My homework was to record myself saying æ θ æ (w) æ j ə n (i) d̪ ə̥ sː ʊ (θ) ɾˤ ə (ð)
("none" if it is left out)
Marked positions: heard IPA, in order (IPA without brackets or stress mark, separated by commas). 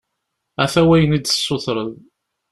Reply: w, i, θ, ð